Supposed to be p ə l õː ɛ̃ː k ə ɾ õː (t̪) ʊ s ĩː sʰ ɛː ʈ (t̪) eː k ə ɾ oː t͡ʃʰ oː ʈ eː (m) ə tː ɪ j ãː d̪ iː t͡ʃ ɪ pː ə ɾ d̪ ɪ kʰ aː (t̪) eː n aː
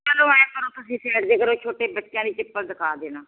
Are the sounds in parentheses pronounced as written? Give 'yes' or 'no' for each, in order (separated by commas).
yes, no, no, no